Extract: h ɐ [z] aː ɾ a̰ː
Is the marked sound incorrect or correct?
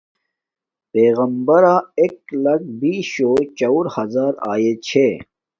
correct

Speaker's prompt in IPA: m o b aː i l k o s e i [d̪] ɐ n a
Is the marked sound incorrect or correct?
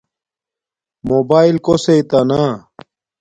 incorrect: t̪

